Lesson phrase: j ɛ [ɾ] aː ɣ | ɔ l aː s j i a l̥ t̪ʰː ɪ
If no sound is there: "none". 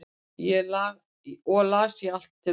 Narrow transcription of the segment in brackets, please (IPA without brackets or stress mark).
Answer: l